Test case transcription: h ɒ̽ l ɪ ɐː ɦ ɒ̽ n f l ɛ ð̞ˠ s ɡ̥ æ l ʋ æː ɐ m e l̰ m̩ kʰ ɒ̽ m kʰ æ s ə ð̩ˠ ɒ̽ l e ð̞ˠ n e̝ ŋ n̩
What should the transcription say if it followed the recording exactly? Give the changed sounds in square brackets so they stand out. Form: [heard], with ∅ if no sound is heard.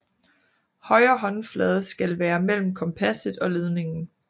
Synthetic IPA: h ɒ̽ [∅] ɪ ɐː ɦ ɒ̽ n f l ɛ ð̞ˠ s ɡ̥ æ l ʋ æː ɐ m e l̰ m̩ kʰ ɒ̽ m [pʰ] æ s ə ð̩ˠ ɒ̽ l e ð̞ˠ n e̝ ŋ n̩